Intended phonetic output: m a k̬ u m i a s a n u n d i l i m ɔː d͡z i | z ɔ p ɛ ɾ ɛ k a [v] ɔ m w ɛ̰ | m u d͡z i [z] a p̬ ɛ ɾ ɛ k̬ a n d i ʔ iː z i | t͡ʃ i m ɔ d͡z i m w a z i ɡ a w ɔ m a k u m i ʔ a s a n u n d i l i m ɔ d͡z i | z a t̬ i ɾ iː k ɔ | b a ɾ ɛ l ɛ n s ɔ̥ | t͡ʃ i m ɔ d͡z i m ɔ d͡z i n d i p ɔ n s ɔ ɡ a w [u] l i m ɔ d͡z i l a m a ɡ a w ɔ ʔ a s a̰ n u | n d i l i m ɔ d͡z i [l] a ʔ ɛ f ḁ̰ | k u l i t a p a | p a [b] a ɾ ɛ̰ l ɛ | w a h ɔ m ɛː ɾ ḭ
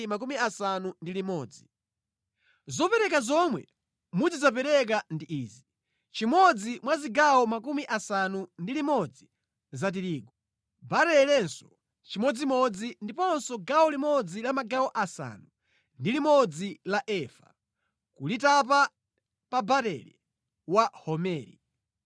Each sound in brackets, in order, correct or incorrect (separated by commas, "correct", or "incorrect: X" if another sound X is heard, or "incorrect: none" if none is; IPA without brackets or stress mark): incorrect: z, correct, incorrect: ɔ, correct, correct